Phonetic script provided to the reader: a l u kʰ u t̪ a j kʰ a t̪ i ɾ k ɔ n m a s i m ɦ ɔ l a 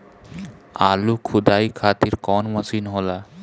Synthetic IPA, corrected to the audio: a l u kʰ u d̪ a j kʰ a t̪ i ɾ k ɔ n m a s i n ɦ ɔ l a